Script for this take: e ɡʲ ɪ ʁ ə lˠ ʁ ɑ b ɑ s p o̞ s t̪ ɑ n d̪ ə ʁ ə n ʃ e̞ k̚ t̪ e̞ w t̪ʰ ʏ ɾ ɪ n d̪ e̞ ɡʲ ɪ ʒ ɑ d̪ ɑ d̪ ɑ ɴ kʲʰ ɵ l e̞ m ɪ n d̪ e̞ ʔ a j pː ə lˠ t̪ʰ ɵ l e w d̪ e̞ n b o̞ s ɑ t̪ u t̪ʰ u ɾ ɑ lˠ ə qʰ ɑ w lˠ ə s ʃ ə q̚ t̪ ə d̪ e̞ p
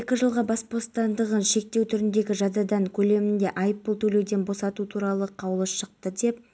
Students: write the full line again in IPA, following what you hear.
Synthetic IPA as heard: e kʲ ɪ ʒ ə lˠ ʁ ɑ b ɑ s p o̞ s t̪ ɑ n d̪ ə ʁ ə n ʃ e̞ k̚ t̪ e̞ w t̪ʰ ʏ ɾ ɪ n d̪ e̞ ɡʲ ɪ ʒ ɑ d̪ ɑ d̪ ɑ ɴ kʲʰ ɵ l e̞ m ɪ n d̪ e̞ ʔ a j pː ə lˠ t̪ʰ ɵ l e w d̪ e̞ n b o̞ s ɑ t̪ u t̪ʰ u ɾ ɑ lˠ ə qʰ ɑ w lˠ ə s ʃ ə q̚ t̪ ə d̪ e̞ p